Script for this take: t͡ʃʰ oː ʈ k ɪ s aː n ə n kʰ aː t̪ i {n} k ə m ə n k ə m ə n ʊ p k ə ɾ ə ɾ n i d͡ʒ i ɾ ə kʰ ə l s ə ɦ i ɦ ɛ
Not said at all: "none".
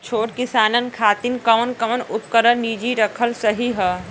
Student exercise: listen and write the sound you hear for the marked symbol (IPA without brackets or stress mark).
n